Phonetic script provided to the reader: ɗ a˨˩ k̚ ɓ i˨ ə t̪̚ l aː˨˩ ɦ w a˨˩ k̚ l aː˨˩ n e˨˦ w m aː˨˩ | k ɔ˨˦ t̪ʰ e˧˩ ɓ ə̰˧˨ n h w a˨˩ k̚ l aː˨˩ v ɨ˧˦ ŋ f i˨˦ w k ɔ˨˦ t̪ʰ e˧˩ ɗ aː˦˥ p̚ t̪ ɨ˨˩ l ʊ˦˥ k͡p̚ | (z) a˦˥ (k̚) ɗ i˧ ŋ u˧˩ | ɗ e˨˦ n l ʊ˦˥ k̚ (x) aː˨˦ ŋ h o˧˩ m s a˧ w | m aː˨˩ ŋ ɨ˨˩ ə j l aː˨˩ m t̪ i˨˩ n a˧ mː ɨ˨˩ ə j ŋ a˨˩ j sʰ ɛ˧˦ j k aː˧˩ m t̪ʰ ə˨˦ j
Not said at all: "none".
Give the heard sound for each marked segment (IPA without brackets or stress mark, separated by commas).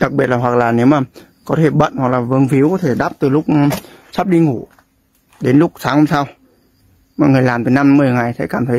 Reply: s, p̚, s